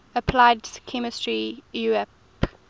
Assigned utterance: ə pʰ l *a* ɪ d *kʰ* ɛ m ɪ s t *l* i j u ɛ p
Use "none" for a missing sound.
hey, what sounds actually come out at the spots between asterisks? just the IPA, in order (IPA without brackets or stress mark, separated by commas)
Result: a, kʰ, ɹ